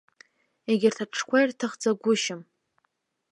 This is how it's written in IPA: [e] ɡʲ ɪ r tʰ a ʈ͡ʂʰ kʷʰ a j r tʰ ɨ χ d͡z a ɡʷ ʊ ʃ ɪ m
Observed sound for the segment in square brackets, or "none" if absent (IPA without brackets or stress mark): e